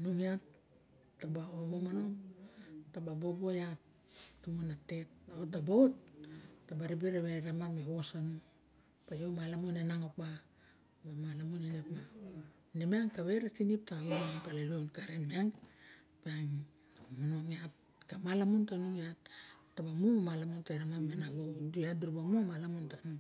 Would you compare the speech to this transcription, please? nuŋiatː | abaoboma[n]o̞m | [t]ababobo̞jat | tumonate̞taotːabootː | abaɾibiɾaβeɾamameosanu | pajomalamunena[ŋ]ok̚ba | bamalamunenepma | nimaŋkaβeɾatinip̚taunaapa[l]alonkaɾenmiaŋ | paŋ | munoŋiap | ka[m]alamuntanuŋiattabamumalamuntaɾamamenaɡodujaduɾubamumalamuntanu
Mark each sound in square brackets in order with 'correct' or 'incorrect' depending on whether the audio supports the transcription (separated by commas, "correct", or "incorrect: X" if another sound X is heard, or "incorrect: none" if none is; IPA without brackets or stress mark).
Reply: correct, correct, correct, correct, correct